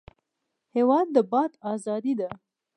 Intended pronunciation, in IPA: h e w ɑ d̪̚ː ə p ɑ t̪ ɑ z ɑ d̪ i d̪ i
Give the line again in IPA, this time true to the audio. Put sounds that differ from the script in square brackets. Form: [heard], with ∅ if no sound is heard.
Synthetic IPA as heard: h e w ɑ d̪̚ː ə [b] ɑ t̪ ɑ z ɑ d̪ i d̪ [a]